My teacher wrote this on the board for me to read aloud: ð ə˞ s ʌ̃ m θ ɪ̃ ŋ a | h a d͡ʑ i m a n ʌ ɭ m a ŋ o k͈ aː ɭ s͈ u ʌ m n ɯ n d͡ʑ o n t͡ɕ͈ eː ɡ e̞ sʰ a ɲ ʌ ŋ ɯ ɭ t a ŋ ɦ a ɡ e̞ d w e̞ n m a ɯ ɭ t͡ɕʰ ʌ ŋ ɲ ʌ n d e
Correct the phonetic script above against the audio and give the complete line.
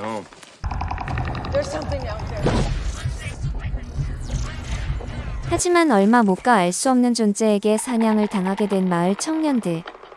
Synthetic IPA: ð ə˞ s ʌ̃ m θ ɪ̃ ŋ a | h a d͡ʑ i m a n ʌ ɭ m a m o k͈ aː ɭ s͈ u ʌ m n ɯ n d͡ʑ o n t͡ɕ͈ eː ɡ e̞ sʰ a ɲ a ŋ ɯ ɭ t a ŋ ɦ a ɡ e̞ d w e̞ n m a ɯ ɭ t͡ɕʰ ʌ ŋ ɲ ʌ n d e